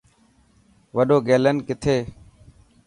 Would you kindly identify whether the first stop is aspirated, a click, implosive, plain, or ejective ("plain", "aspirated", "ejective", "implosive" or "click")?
implosive